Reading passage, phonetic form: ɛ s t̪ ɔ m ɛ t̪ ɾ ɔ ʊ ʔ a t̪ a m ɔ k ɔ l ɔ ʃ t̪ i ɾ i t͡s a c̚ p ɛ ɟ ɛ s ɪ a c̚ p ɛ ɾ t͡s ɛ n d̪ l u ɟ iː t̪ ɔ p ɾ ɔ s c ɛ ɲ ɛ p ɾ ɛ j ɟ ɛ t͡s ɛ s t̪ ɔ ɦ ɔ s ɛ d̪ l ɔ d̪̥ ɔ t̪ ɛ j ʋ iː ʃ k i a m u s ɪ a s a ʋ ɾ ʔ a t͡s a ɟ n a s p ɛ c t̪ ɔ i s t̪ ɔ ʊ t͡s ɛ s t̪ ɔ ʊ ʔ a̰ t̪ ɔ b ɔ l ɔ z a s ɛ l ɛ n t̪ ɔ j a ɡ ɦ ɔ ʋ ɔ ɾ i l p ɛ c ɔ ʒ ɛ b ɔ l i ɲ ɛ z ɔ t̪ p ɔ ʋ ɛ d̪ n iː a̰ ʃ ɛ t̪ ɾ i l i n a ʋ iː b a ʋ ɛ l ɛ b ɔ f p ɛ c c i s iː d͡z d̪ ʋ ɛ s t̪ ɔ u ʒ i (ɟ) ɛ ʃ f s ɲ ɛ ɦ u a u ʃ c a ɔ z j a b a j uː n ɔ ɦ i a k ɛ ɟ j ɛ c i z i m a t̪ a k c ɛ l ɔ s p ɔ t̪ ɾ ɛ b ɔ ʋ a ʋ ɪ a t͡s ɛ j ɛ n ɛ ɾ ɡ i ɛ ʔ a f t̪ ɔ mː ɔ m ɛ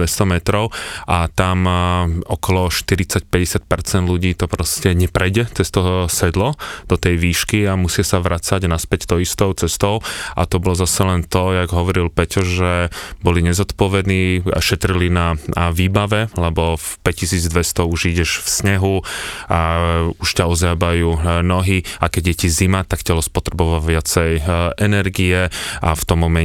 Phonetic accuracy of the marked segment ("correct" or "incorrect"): correct